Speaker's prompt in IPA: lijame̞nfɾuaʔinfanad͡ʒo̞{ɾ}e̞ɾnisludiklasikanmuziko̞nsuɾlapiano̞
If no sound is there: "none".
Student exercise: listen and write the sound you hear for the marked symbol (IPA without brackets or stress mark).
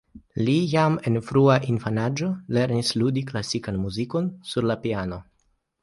l